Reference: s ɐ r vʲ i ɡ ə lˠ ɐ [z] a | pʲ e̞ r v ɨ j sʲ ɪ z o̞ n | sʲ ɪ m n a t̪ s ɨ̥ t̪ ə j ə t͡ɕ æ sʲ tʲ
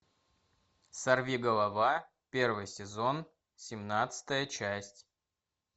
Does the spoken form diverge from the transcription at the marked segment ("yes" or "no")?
yes